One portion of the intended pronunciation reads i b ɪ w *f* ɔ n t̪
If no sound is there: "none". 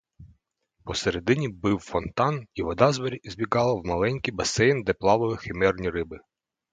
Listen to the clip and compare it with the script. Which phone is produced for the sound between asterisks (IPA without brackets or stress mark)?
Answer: f